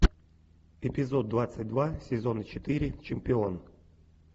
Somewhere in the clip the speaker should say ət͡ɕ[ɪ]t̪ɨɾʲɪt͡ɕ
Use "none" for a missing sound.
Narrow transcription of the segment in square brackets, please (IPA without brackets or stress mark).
ɪ